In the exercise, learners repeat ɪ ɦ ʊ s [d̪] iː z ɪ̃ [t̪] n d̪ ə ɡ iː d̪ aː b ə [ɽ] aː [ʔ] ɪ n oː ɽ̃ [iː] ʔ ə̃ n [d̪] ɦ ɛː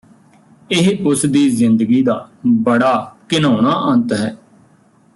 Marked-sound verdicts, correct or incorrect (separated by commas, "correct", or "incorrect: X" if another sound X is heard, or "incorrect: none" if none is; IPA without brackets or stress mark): correct, incorrect: none, correct, incorrect: k, incorrect: aː, incorrect: t̪